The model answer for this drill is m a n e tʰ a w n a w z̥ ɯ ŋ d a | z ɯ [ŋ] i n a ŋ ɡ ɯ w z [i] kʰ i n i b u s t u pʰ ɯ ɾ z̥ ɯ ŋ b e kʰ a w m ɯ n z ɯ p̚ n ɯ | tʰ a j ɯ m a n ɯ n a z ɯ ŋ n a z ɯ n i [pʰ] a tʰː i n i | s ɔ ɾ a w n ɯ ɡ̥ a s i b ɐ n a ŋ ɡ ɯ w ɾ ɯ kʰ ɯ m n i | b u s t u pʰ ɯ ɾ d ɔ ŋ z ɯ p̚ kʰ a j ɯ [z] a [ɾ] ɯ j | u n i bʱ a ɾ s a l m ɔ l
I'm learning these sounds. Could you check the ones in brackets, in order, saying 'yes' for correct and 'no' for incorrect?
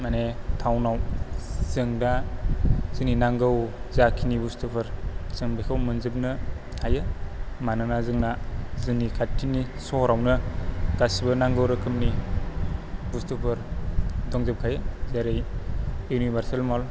no, no, no, yes, yes

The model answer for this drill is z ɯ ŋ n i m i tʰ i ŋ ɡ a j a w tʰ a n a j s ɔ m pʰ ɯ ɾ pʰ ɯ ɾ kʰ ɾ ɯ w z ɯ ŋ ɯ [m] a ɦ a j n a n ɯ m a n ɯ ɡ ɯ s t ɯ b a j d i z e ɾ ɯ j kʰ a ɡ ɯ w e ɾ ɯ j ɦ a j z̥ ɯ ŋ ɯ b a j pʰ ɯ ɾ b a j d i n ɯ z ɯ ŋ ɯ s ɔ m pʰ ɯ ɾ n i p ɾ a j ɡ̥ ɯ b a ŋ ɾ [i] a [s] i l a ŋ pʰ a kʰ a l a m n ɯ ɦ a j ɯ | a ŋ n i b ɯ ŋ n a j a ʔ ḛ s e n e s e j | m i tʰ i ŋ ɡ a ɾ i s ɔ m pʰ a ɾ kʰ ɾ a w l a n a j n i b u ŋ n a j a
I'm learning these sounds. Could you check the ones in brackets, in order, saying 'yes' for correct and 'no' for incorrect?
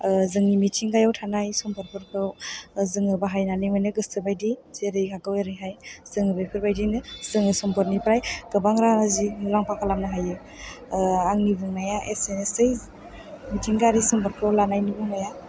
no, no, no

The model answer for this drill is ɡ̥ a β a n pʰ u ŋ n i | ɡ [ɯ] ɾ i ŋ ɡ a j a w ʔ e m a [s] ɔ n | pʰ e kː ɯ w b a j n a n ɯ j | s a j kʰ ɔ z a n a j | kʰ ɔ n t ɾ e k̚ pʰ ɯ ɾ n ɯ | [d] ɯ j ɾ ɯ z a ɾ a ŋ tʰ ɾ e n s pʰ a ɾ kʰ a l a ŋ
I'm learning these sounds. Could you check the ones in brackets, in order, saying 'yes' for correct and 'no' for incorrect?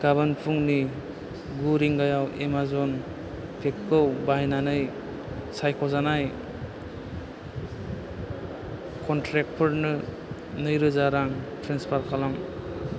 no, no, no

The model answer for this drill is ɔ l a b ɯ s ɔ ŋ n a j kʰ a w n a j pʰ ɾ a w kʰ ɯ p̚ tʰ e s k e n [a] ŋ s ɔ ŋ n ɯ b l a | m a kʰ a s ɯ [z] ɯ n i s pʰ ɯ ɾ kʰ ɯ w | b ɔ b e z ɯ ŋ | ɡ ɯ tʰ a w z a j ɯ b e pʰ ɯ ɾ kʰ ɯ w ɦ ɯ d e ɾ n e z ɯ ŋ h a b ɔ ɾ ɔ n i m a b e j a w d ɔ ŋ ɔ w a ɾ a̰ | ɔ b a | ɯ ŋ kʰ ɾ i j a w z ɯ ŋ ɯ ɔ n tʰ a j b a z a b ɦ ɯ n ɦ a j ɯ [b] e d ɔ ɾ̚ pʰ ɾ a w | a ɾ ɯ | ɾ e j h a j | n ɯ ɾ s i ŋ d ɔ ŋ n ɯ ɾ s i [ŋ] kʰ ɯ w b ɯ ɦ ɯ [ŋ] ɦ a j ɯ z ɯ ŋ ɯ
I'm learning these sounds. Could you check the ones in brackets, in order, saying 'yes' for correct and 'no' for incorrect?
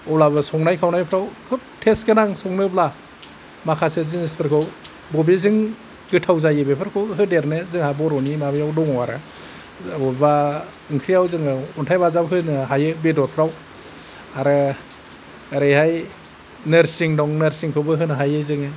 yes, yes, yes, yes, no

